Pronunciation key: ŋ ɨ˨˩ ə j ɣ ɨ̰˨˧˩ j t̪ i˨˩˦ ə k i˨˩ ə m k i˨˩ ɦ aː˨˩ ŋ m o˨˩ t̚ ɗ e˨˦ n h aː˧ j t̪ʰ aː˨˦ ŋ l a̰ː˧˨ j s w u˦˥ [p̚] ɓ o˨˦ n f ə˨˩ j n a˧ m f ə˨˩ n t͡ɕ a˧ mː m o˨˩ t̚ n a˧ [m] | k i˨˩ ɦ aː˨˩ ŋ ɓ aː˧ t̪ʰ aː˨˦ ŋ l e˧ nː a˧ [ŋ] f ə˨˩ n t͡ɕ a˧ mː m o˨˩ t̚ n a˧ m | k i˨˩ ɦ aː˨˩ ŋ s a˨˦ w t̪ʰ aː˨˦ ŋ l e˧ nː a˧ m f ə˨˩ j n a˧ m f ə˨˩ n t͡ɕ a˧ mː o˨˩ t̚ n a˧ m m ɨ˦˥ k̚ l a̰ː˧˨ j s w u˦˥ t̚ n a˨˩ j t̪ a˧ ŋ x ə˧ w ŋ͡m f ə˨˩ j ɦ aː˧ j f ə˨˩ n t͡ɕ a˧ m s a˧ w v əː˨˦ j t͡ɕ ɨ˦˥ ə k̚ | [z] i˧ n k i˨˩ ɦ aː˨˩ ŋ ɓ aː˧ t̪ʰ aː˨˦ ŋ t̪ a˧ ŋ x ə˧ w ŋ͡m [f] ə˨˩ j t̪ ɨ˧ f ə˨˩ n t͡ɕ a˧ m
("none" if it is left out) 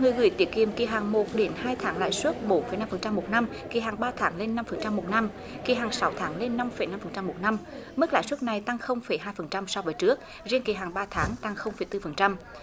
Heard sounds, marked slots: t̚, m, m, z, f

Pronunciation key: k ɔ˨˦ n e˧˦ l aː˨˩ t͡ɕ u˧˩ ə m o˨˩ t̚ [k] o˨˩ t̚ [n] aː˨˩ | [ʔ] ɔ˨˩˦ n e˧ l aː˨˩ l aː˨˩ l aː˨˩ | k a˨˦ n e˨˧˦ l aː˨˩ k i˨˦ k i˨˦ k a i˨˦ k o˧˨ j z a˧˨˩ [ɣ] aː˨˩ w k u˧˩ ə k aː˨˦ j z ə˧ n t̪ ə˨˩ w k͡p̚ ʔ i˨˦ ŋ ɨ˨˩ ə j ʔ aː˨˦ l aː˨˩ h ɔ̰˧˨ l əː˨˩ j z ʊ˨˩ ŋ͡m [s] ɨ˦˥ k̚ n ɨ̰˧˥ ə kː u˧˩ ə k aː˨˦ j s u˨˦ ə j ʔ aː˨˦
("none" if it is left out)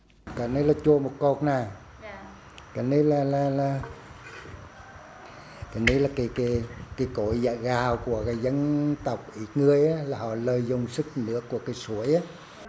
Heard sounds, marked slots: k, n, k, ɣ, s

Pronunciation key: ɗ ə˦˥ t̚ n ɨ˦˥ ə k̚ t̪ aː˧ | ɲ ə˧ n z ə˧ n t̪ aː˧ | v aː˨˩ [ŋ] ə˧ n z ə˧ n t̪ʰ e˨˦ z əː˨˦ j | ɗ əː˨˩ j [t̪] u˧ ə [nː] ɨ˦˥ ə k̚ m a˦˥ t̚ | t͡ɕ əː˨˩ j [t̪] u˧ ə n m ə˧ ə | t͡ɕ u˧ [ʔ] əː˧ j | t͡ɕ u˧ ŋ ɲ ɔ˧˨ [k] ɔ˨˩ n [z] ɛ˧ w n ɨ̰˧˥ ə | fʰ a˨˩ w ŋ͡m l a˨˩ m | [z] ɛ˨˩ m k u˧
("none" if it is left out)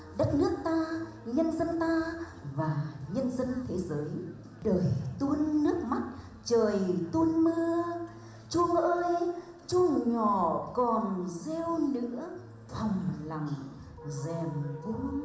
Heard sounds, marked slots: ɲ, t̪, nː, t̪, ʔ, k, z, z

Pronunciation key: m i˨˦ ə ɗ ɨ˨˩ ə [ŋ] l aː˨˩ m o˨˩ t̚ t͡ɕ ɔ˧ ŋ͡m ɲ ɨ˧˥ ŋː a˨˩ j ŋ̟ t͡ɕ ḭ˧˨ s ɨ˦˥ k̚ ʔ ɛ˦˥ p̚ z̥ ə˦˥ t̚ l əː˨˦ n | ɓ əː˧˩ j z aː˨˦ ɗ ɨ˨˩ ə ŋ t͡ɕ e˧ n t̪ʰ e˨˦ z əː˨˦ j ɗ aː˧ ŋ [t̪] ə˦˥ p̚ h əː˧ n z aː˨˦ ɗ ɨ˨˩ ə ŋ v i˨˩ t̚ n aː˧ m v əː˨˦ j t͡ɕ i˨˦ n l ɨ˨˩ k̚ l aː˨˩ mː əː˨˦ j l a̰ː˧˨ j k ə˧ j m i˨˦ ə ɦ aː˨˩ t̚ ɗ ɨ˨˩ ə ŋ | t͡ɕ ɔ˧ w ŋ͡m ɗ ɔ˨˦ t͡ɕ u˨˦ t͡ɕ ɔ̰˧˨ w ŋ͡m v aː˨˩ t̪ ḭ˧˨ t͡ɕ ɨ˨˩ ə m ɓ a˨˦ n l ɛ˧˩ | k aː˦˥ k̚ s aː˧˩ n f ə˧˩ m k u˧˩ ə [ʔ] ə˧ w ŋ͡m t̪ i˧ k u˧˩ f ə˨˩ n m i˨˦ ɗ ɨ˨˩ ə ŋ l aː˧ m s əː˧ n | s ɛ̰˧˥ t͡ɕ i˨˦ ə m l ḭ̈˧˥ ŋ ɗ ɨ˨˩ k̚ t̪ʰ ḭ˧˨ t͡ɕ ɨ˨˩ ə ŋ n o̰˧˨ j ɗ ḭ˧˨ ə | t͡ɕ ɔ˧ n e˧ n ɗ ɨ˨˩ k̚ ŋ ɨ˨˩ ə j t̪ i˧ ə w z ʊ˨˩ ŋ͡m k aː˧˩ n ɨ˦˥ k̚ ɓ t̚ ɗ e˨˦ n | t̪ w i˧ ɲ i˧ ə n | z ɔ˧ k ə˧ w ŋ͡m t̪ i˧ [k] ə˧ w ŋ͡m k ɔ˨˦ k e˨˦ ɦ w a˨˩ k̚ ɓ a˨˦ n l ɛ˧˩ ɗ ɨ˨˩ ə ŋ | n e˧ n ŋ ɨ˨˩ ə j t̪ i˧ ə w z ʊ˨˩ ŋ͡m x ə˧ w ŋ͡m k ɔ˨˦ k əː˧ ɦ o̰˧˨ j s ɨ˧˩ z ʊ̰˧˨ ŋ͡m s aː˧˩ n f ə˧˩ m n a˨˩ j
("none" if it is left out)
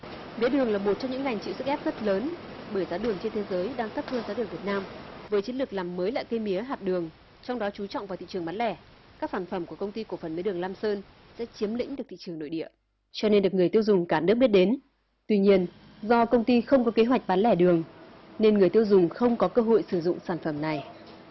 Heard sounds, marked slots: ŋ, t̪, k, x

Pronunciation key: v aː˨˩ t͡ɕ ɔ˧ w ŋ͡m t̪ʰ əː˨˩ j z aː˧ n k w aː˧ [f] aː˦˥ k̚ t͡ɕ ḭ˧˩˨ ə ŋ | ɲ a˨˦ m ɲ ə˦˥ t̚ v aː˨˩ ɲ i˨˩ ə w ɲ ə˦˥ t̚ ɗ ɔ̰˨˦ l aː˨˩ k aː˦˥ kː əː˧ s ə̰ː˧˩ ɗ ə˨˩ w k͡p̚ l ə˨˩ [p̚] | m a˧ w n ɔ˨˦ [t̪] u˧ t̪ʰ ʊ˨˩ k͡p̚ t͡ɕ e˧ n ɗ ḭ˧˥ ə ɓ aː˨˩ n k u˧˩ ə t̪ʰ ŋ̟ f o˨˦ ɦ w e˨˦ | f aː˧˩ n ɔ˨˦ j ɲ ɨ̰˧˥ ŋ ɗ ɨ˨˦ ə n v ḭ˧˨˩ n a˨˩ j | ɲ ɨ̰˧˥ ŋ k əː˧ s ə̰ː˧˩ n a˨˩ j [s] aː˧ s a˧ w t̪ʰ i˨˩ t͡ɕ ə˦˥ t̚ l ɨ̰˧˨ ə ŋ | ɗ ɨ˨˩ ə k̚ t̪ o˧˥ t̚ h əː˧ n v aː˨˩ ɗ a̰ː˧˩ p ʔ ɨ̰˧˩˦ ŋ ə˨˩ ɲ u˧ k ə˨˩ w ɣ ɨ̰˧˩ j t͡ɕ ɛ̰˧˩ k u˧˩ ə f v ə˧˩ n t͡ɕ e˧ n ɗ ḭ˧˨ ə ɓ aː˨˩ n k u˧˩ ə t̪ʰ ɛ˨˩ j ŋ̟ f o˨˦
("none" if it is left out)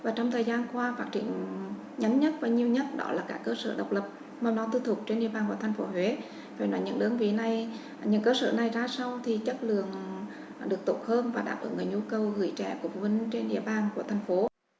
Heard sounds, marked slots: f, p̚, t̪, z

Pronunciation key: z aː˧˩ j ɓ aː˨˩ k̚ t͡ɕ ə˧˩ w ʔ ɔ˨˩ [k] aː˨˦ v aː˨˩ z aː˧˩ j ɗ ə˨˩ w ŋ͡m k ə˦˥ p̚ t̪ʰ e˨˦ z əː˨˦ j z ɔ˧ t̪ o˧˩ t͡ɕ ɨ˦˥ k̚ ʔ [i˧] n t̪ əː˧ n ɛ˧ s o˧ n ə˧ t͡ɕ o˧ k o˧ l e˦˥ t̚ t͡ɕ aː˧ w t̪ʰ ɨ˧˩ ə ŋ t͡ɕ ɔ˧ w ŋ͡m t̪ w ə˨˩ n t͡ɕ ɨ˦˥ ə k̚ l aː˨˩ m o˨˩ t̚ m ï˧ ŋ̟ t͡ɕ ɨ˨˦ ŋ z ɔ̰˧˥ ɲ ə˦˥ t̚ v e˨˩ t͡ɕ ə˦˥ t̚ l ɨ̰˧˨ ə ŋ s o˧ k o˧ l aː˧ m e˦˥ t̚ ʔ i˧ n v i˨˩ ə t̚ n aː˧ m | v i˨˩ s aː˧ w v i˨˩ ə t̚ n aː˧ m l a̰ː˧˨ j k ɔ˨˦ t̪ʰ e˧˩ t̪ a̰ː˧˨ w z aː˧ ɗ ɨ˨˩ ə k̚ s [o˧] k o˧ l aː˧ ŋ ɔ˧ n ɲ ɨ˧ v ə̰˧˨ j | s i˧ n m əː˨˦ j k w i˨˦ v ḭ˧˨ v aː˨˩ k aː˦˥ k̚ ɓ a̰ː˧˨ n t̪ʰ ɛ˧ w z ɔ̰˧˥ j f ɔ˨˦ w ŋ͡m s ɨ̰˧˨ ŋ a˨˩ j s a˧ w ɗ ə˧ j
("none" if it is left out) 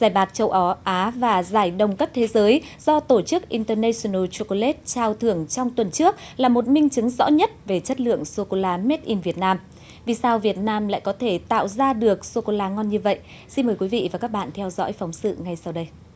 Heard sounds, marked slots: ʔ, i˧, o˧

